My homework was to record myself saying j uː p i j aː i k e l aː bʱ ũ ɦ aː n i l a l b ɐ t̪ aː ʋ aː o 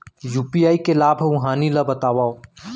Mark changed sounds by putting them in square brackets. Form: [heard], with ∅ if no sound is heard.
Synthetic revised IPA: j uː p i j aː i k e l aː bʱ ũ ɦ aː n i l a [∅] b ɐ t̪ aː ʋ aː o